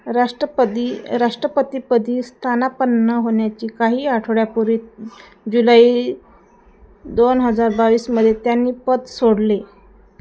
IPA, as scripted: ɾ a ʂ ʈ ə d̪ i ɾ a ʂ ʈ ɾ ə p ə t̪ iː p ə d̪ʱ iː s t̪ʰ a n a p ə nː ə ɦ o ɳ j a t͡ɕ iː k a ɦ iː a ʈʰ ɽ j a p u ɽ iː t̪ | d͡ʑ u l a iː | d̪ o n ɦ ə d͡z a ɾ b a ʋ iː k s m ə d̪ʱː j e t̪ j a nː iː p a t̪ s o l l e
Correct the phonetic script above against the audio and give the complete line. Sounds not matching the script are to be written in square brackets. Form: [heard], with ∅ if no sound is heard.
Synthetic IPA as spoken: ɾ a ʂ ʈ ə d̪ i ɾ a ʂ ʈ ɾ ə p ə t̪ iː p ə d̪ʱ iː s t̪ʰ a n a p ə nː ə ɦ o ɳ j a t͡ɕ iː k a ɦ iː a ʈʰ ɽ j a p u [ɾ] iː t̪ | d͡ʑ u l a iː | d̪ o n ɦ ə d͡z a ɾ b a ʋ iː [∅] s m ə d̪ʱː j e t̪ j a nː iː p [ə] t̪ s o [ɽ] l e